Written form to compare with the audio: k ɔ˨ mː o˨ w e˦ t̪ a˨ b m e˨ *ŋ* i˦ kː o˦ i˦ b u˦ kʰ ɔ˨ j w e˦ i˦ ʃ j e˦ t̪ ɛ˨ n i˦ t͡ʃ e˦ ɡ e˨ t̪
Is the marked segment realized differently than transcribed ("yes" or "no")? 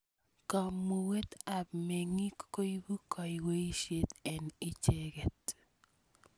no